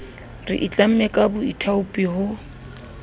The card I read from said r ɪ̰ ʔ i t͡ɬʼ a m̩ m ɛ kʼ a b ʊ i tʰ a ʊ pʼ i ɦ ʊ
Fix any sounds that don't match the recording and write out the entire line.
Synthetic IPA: r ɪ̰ ʔ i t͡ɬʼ a m̩ m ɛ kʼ a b ʊ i tʰ a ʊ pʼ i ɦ ʊ